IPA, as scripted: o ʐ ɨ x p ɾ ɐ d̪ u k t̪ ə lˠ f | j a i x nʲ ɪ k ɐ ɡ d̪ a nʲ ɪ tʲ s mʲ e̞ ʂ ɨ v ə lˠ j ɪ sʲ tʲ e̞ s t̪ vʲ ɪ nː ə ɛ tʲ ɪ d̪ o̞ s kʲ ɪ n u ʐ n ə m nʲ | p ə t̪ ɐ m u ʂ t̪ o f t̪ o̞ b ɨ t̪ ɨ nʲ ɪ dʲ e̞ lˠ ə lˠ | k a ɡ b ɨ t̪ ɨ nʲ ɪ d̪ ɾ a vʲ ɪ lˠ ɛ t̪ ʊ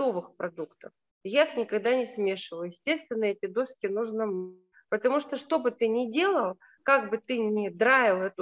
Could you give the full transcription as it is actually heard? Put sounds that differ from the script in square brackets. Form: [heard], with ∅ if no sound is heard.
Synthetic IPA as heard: o [v] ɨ x p ɾ ɐ d̪ u k t̪ ə [∅] f | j a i x nʲ ɪ k ɐ ɡ d̪ a nʲ ɪ [∅] s mʲ e̞ ʂ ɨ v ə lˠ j ɪ sʲ tʲ e̞ s t̪ vʲ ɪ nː ə ɛ tʲ ɪ d̪ o̞ s kʲ ɪ n u ʐ n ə m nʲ | p ə t̪ ɐ m u ʂ t̪ o [ʂ] t̪ o̞ b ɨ t̪ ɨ nʲ ɪ dʲ e̞ lˠ ə lˠ | k a ɡ b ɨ t̪ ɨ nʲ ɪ d̪ ɾ a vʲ ɪ lˠ ɛ t̪ ʊ